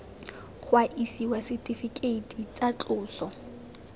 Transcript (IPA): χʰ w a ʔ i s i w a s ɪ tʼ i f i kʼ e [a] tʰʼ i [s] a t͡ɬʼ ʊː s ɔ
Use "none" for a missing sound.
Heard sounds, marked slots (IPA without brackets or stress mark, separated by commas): i, t͡s